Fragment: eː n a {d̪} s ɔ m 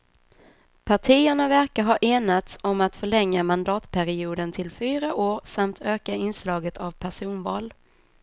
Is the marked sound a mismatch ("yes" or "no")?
yes